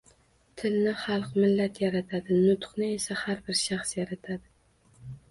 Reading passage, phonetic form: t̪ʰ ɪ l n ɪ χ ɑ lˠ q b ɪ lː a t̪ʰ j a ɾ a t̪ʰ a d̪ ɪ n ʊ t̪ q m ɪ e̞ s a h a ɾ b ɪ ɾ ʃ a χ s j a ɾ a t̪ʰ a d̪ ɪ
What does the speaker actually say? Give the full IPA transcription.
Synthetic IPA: t̪ʰ ɪ l n ɪ χ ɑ lˠ q m ɪ lː a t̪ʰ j a ɾ a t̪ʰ a d̪ ɪ n ʊ t̪ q n ɪ e̞ s a h a ɾ b ɪ ɾ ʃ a χ s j a ɾ a t̪ʰ a d̪ ɪ